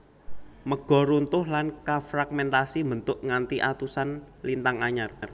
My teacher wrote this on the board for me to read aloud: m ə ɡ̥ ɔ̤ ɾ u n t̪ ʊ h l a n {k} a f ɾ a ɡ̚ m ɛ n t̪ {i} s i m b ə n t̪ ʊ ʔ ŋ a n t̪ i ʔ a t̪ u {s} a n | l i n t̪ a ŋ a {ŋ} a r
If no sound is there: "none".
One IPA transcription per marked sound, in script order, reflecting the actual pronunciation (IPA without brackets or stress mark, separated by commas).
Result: k, a, s, ɲ